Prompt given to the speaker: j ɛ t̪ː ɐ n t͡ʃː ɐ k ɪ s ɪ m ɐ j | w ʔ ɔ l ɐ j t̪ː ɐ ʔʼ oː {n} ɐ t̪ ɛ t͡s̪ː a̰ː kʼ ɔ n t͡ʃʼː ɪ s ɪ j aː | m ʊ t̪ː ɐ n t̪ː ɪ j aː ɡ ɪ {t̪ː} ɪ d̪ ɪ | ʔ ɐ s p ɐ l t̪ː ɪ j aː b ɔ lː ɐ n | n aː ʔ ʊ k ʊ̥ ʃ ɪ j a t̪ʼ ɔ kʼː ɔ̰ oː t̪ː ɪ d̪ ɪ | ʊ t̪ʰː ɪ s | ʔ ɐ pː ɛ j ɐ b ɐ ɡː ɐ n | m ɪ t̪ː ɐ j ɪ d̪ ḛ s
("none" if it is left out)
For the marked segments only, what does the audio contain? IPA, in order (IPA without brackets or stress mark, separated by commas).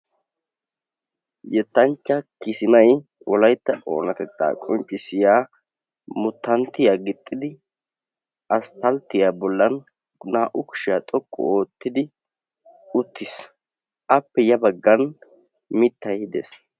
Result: n, t̪ʼː